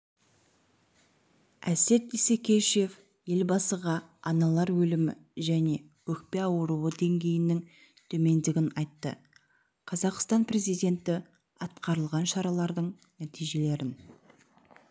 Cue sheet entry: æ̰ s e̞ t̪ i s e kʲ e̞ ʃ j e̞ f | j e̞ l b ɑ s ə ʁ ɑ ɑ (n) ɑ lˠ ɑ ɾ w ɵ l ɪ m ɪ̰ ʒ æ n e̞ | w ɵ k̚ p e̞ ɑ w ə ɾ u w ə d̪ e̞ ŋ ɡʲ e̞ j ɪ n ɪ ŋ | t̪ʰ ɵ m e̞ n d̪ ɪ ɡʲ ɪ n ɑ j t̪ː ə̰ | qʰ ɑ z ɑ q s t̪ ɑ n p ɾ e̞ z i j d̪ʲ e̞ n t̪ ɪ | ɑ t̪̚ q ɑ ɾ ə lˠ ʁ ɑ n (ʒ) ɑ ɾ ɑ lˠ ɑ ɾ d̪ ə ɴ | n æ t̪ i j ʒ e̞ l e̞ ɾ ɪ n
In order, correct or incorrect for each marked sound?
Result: correct, incorrect: ʃ

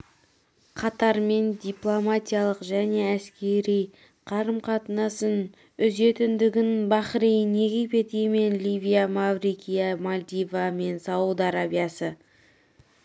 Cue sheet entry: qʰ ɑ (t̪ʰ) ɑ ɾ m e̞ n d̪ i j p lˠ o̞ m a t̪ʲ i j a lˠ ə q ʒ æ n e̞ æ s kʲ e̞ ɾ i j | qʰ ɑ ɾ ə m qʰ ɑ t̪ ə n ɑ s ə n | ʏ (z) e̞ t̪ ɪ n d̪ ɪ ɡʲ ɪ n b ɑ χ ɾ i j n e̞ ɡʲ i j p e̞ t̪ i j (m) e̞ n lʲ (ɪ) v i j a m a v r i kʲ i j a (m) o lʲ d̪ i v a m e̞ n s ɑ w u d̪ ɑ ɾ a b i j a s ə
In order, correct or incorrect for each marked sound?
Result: incorrect: t̪, correct, correct, incorrect: i, correct

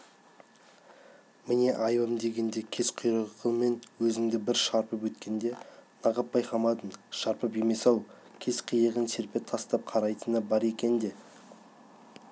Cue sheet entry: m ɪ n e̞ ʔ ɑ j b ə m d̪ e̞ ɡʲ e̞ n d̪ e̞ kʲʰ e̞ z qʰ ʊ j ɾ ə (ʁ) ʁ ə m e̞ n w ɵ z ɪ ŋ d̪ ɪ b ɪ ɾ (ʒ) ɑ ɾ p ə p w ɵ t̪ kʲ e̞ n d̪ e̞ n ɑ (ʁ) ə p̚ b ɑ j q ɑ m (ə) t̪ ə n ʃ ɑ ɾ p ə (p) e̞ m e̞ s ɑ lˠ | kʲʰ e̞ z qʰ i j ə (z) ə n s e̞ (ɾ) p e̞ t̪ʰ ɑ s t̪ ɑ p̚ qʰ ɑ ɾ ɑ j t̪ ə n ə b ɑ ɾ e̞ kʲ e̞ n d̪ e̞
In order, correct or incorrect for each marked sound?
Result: correct, incorrect: ʃ, correct, incorrect: ɑ, correct, incorrect: ʁ, correct

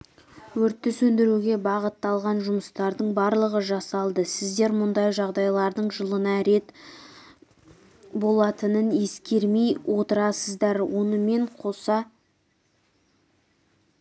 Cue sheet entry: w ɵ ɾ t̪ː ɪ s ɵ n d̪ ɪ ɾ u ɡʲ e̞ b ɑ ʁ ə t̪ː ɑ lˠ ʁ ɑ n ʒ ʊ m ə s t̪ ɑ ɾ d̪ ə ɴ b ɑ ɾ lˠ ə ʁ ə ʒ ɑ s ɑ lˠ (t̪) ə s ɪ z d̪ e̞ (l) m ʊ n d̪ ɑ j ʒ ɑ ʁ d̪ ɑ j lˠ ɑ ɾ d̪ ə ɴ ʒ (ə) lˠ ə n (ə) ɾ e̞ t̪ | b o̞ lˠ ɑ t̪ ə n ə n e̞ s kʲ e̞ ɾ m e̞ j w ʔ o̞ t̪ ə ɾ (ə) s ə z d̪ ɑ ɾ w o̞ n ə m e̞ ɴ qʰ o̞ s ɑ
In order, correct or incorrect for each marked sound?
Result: incorrect: d̪, incorrect: ɾ, correct, incorrect: ɑ, incorrect: ɑ

